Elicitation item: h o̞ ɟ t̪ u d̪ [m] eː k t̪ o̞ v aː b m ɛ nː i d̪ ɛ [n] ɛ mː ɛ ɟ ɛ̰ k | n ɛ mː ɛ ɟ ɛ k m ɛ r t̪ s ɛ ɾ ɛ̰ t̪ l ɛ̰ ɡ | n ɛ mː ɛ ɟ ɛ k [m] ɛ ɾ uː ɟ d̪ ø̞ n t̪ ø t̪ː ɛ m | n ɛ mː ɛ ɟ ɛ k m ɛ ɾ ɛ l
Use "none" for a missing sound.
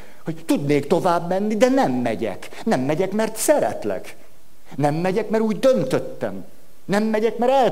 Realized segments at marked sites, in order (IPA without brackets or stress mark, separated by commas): n, n, m